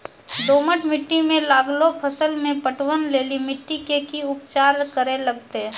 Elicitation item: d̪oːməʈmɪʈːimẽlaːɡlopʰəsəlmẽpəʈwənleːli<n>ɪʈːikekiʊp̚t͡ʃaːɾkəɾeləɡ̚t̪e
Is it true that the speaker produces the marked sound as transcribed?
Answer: no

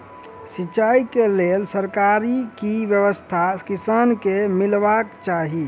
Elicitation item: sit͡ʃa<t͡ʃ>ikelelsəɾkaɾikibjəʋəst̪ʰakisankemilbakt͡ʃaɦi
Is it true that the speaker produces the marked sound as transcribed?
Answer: no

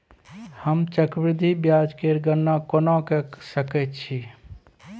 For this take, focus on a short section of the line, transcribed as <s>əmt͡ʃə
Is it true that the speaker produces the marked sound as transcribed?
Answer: no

